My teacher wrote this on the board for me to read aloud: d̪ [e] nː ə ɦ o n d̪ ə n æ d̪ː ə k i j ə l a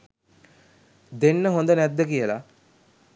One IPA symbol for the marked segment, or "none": e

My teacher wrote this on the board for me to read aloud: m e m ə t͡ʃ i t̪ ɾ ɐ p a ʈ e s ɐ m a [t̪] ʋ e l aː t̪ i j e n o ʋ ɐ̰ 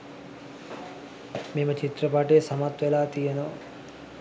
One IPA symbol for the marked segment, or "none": t̪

